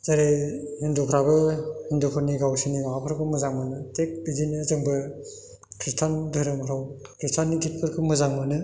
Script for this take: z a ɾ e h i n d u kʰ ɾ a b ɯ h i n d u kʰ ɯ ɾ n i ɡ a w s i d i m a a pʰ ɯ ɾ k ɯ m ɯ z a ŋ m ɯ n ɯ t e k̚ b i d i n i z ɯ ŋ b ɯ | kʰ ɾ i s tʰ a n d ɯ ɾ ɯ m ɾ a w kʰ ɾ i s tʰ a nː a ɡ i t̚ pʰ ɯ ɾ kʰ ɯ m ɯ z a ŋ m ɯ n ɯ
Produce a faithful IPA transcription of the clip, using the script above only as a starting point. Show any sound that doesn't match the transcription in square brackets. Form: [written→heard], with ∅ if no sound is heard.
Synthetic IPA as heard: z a ɾ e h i n d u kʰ ɾ a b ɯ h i n d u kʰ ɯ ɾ n i ɡ a w s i [d→n] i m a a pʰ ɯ ɾ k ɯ m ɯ z a ŋ m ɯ n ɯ t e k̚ b i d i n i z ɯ ŋ b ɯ | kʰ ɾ i s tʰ a n d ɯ ɾ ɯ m ɾ a w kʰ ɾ i s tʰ a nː [a→i] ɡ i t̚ pʰ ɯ ɾ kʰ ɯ m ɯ z a ŋ m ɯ n ɯ